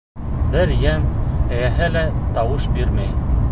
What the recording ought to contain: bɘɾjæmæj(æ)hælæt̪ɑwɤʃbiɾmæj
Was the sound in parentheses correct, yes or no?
yes